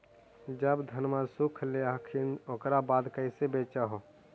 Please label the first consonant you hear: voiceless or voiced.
voiced